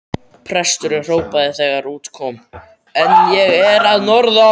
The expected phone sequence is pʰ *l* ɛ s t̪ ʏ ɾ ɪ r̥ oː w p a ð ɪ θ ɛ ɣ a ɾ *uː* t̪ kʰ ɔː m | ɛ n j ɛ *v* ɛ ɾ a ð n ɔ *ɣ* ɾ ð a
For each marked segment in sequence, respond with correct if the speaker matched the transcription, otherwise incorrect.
incorrect: ɾ, correct, incorrect: ɣ, incorrect: none

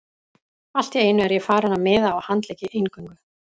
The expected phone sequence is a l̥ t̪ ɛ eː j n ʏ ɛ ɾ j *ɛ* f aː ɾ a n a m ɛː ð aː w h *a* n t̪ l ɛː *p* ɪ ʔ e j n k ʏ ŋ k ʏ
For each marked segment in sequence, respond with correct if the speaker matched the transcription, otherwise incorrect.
correct, correct, incorrect: c

